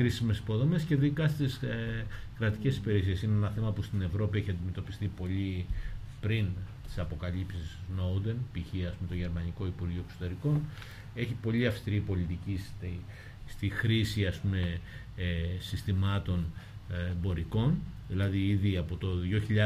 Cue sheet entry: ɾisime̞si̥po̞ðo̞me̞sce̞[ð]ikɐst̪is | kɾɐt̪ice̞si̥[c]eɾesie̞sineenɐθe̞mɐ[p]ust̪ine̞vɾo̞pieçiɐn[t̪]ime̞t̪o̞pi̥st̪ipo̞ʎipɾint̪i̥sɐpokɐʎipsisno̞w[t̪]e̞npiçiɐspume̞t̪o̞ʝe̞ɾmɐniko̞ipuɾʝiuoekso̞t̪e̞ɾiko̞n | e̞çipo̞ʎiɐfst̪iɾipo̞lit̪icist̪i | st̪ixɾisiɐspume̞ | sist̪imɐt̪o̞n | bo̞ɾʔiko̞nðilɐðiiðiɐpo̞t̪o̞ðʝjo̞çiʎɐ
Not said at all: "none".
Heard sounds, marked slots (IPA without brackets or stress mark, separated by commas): ð, p, p, d̪, d̪